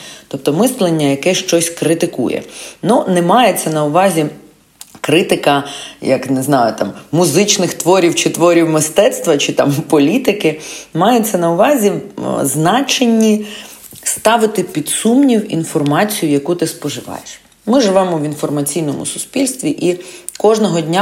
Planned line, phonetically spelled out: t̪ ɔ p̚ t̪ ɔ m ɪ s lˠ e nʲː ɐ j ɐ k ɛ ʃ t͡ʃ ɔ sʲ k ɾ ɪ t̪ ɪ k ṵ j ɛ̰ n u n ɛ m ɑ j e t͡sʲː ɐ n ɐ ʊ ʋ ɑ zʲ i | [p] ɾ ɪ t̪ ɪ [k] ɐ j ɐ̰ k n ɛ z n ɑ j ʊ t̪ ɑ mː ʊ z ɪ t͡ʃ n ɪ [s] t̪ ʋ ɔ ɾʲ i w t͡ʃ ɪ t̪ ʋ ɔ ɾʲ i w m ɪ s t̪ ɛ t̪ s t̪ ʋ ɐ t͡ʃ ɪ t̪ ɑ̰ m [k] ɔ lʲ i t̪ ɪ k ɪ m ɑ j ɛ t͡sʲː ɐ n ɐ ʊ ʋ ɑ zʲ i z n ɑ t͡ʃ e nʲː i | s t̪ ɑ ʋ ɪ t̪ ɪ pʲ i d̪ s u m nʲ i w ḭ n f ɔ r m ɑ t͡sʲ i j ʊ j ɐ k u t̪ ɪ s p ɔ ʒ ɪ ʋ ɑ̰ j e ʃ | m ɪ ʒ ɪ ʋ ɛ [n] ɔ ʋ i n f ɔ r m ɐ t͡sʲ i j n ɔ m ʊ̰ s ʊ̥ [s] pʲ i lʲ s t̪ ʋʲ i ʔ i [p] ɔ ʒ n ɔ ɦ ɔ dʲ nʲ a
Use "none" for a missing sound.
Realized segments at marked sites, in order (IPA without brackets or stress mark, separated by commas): k, k, x, p, m, s, k